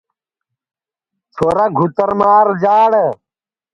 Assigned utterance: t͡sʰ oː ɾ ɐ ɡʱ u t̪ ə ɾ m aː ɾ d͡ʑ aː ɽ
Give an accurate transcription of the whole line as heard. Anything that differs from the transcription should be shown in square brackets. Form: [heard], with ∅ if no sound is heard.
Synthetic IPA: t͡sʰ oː ɾ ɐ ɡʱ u t̪ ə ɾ m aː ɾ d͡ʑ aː ɽ